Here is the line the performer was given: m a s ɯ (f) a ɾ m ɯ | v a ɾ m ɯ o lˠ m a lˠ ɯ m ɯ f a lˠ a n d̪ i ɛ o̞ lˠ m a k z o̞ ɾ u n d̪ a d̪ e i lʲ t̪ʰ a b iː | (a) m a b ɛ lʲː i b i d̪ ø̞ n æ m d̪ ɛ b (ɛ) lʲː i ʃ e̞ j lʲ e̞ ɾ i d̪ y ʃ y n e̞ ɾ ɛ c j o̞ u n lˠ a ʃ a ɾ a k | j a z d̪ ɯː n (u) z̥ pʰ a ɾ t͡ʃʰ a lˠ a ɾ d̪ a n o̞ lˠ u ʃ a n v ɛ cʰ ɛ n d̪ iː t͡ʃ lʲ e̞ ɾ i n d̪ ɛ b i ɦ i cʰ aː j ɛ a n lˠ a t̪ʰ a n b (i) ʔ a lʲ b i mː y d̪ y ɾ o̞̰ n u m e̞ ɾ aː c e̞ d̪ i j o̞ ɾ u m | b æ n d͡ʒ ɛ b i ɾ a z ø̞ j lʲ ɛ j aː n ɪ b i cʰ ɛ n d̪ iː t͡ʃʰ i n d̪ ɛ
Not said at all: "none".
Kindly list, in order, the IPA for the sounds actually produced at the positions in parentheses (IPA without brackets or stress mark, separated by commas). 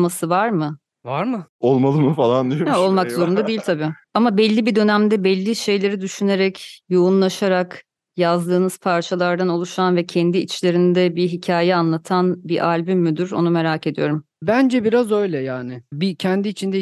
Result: v, a, ɛ, ɯ, i